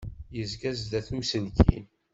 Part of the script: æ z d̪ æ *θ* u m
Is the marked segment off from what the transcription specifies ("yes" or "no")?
no